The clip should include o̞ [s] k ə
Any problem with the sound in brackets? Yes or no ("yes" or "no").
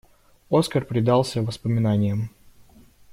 no